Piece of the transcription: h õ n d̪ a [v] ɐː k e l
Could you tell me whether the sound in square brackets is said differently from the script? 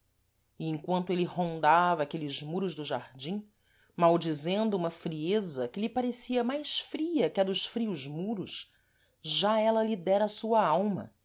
no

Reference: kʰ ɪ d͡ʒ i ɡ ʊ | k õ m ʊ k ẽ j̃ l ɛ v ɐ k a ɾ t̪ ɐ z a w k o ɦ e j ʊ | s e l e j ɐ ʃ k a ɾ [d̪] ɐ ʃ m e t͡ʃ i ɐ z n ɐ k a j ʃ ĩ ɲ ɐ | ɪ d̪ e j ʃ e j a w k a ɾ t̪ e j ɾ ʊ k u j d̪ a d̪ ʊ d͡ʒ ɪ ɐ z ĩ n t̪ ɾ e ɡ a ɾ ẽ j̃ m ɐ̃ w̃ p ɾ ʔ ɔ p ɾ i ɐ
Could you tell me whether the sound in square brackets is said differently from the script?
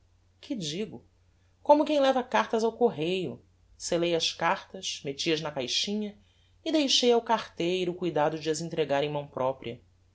yes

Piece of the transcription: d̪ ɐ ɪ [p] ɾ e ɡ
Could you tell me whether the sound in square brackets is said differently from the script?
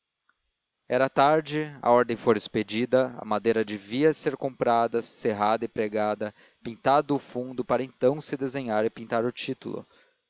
no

